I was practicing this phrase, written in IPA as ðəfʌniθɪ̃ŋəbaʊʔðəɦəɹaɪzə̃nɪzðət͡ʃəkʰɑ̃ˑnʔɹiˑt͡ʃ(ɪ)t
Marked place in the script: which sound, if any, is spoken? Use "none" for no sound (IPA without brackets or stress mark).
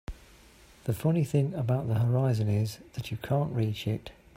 ɪ